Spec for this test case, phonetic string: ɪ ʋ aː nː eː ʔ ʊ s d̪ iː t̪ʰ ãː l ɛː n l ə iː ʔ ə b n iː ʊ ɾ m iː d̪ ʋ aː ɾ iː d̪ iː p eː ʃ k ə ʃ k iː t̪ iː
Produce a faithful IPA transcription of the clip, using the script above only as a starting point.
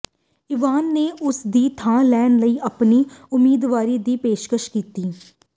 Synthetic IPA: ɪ ʋ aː nː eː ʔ ʊ s d̪ iː t̪ʰ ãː l ɛː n l ə iː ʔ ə p n iː ʊ m iː d̪ ʋ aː ɾ iː d̪ iː p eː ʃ k ə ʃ k iː t̪ iː